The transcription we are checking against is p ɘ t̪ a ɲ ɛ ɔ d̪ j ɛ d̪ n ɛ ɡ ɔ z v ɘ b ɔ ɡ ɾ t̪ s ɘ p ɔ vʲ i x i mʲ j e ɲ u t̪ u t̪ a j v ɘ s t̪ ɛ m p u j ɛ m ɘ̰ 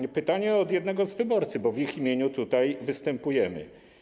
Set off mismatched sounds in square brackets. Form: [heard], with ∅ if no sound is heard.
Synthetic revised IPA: p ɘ t̪ a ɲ ɛ ɔ d̪ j ɛ d̪ n ɛ ɡ ɔ z v ɘ b ɔ [∅] ɾ t̪ s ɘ [b] ɔ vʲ i x i mʲ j e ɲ u t̪ u t̪ a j v ɘ s t̪ ɛ m p u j ɛ m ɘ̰